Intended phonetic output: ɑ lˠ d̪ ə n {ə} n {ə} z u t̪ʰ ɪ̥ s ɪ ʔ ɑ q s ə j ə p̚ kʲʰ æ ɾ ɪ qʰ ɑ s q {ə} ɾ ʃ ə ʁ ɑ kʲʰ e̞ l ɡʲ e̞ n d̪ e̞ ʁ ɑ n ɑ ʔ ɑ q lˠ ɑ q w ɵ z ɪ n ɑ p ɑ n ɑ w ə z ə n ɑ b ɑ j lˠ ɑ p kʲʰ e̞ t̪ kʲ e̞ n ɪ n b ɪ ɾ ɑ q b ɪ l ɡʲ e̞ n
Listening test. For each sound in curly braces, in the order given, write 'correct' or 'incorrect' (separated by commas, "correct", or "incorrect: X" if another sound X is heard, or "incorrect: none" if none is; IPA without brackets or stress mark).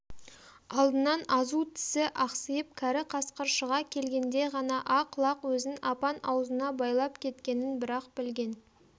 incorrect: ɑ, incorrect: ɑ, correct